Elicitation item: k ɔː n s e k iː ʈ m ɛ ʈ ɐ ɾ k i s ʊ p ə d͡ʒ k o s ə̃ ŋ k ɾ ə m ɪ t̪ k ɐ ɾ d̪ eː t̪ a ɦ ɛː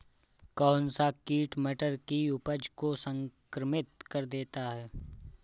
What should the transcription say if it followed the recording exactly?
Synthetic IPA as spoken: k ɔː n s a k iː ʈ m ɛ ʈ ə ɾ k i ʊ p ə d͡ʒ k o s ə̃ ŋ k ɾ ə m ɪ t̪ k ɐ ɾ d̪ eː t̪ a ɦ ɛː